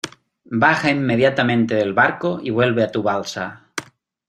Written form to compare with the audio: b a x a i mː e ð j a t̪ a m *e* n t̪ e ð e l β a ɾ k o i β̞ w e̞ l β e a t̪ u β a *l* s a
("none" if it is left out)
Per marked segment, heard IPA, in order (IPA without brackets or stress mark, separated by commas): ẽ, l